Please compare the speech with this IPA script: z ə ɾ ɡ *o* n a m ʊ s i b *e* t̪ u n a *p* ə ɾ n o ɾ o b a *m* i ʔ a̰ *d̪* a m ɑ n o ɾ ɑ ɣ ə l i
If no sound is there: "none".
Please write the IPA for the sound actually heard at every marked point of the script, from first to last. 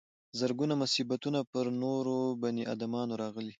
u, a, p, n, d̪

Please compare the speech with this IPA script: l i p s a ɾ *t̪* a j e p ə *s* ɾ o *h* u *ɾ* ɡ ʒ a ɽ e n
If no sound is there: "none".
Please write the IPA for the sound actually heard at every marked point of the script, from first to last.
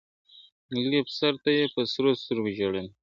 t̪, s, s, ɾ

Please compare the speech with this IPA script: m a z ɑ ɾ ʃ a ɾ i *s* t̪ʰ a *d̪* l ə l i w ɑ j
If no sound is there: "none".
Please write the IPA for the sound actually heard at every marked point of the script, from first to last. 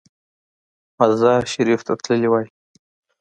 f, t̪

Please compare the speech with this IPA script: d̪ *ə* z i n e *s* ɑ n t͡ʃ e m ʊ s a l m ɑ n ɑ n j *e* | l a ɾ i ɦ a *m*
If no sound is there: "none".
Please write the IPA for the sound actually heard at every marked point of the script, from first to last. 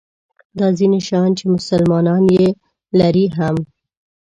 ɑ, ʃ, e, m

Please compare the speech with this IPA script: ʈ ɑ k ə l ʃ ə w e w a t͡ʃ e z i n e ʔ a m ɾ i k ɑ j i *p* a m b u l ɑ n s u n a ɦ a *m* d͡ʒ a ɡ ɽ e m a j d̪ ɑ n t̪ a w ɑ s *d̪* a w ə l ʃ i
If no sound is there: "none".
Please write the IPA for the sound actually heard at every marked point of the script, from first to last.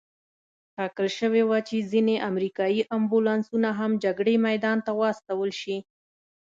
ʔ, m, t̪

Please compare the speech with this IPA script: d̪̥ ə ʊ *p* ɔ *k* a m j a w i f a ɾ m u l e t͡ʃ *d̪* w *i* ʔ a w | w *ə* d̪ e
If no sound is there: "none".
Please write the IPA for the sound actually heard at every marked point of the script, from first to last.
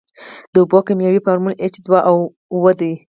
b, k, d̪, a, ə

